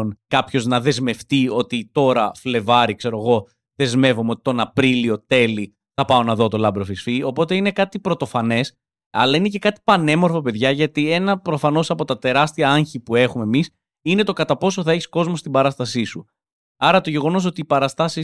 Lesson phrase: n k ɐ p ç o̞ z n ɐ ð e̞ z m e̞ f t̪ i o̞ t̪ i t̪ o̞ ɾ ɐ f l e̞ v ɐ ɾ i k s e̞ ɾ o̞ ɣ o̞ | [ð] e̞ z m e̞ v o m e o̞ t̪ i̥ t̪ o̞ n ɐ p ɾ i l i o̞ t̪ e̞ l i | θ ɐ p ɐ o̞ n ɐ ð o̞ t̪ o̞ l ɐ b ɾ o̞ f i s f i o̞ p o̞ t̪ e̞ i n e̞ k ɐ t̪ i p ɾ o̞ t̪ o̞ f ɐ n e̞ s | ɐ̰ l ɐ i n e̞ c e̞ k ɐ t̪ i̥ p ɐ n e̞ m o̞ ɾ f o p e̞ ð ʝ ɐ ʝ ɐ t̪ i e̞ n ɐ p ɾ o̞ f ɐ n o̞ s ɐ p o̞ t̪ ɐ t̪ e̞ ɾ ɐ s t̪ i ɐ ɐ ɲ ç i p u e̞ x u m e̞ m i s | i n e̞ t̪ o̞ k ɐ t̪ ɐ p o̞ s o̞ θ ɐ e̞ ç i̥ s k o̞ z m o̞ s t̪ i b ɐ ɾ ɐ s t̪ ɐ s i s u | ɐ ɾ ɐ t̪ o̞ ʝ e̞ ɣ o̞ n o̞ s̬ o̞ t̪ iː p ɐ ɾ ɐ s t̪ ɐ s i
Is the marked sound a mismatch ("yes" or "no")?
no